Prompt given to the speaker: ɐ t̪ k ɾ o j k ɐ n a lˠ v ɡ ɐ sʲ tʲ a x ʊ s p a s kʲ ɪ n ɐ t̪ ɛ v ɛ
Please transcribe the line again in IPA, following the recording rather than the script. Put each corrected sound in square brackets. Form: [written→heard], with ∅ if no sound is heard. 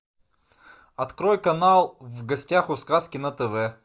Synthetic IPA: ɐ t̪ k ɾ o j k ɐ n a lˠ v ɡ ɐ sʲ tʲ a x ʊ s [p→k] a s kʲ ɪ n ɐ t̪ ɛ v ɛ